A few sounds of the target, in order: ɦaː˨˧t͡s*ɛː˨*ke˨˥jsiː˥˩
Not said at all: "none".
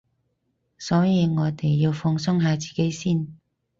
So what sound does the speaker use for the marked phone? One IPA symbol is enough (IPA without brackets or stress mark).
iː˨